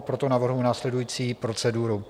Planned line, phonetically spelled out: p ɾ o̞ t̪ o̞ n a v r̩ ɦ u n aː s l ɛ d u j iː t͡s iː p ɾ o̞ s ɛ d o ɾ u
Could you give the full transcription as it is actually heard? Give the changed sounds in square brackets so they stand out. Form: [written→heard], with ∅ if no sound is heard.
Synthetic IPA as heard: p ɾ o̞ t̪ o̞ n a v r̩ ɦ u n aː s l ɛ d u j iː t͡s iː p ɾ o̞ [s→t͡s] ɛ d [o→u] ɾ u